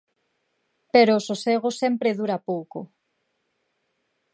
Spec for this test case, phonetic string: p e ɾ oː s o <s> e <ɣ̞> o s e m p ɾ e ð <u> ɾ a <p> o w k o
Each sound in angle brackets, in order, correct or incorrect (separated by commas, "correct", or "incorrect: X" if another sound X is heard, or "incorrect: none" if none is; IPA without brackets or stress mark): correct, correct, correct, correct